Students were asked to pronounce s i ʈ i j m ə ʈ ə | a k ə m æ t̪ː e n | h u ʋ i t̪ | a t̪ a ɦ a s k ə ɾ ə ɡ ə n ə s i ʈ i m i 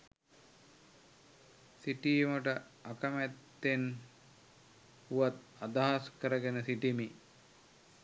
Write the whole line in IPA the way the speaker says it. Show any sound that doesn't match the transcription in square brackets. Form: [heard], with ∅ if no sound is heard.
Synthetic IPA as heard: s i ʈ i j m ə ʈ ə | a k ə m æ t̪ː e n | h u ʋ [a] t̪ | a [d̪] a ɦ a s k ə ɾ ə ɡ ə n ə s i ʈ i m i